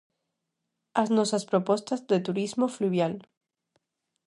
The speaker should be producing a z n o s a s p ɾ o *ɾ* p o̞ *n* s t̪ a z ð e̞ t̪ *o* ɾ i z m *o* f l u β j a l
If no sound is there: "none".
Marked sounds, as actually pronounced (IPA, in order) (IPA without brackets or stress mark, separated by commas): none, none, u, o